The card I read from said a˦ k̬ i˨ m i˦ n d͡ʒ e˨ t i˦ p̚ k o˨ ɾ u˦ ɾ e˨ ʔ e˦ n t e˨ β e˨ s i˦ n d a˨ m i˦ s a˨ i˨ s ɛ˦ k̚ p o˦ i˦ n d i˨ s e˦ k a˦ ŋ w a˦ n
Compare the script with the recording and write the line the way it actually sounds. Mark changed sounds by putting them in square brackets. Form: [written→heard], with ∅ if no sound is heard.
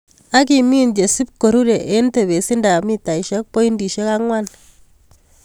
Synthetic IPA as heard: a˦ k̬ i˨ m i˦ n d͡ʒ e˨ [t→s] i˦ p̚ k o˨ ɾ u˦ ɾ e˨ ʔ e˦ n t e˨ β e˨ s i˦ n d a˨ m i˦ [s→t] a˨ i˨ [s→ʃ] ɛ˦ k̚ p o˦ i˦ n d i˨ [s→ʃ] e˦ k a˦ ŋ w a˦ n